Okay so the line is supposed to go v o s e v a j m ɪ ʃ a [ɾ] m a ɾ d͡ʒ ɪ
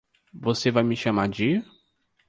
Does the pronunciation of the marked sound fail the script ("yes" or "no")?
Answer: yes